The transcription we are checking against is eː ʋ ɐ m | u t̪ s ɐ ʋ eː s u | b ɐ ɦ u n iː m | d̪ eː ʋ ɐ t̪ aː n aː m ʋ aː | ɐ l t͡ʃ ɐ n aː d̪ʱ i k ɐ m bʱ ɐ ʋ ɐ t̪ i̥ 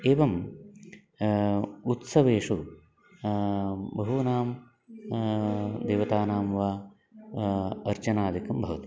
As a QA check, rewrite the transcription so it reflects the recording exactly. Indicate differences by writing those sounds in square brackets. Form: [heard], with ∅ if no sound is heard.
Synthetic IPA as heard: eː ʋ ɐ m | u t̪ s ɐ ʋ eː [ʂ] u | b ɐ ɦ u n [aː] m | d̪ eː ʋ ɐ t̪ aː n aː m ʋ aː | ɐ [ɾ] t͡ʃ ɐ n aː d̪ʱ i k ɐ m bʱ ɐ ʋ ɐ t̪ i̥